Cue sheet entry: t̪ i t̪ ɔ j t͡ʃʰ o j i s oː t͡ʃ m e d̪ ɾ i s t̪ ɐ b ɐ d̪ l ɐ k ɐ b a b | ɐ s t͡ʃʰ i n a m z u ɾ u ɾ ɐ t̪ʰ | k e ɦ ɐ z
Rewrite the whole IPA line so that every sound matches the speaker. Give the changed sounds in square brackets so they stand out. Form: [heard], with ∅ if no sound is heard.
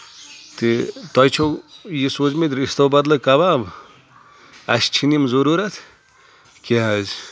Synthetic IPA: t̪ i t̪ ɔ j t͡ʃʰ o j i s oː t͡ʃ m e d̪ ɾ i s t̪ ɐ b ɐ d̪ l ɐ k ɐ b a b | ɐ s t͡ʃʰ i n [i] m z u ɾ u ɾ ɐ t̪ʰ | k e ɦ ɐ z